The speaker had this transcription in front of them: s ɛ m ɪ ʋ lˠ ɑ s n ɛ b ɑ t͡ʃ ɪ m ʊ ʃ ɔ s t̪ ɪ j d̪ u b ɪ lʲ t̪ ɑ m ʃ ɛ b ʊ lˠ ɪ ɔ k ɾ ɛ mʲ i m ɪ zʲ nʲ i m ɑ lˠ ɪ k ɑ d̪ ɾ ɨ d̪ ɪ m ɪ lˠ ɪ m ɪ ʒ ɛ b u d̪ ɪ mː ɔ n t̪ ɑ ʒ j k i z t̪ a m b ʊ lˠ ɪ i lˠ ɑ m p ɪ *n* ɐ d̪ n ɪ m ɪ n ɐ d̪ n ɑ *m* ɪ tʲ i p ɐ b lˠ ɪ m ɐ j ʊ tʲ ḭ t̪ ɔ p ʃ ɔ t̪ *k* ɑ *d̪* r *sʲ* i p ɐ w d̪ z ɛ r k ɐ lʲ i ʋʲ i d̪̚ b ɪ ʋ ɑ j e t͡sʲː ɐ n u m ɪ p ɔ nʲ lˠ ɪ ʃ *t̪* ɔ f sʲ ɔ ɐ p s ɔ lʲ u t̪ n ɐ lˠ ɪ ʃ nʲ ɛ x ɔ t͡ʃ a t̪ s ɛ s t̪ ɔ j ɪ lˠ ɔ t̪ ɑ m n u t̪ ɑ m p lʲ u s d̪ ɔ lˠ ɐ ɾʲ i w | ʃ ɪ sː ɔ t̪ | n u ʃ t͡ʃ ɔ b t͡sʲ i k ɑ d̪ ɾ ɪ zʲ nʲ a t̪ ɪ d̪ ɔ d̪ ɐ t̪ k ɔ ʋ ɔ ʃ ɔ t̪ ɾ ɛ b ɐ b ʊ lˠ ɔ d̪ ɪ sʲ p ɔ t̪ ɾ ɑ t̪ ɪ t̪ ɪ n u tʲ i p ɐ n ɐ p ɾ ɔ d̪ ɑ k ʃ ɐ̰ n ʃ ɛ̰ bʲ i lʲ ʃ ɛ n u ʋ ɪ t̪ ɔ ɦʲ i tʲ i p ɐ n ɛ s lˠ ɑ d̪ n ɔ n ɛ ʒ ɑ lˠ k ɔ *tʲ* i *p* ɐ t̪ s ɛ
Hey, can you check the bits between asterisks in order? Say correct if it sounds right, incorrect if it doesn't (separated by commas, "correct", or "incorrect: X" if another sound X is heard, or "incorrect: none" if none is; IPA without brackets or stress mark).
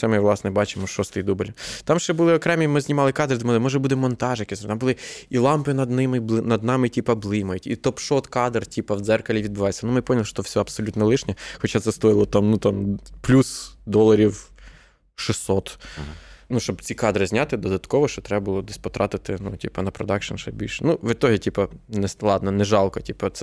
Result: correct, correct, correct, correct, incorrect: tʲ, correct, correct, correct